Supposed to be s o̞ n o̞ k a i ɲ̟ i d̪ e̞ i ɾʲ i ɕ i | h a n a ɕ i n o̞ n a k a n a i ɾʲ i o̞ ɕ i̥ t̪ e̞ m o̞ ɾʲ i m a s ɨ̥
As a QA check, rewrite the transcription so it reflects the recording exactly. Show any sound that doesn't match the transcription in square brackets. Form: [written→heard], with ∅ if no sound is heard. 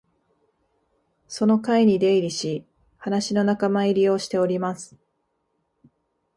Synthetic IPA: s o̞ n o̞ k a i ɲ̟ i d̪ e̞ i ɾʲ i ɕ i | h a n a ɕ i n o̞ n a k a [n→m] a i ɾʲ i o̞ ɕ i̥ t̪ e̞ [m→∅] o̞ ɾʲ i m a s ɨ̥